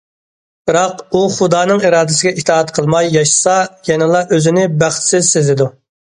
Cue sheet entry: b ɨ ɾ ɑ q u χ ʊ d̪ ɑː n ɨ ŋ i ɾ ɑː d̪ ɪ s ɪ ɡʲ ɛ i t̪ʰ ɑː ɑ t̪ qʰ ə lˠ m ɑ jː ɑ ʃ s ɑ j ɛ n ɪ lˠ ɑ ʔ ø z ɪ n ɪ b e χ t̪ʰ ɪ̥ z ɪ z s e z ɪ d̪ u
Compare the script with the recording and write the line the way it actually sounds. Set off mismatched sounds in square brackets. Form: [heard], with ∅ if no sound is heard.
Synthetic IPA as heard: b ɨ ɾ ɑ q u χ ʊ d̪ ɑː n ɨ ŋ i ɾ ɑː d̪ ɪ s ɪ ɡʲ ɛ i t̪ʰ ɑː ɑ t̪ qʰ ə lˠ m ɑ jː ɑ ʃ s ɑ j ɛ n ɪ lˠ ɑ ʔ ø z ɪ n ɪ b [æ] χ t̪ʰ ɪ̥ [s] ɪ z s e z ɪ d̪ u